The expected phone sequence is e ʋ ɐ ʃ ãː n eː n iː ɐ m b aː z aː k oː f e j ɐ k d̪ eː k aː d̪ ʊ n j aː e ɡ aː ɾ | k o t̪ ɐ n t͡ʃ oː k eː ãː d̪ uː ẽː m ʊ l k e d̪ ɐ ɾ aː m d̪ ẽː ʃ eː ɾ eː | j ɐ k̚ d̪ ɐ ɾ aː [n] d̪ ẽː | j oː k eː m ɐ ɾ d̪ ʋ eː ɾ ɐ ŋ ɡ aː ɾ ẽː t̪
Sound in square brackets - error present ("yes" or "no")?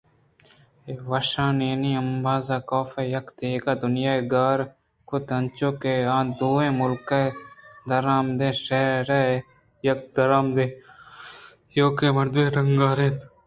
yes